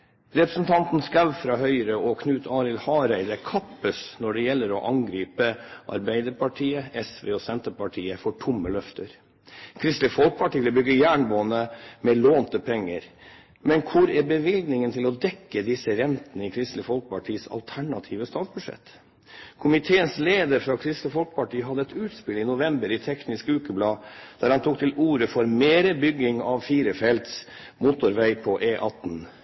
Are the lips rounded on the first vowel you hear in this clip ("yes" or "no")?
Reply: no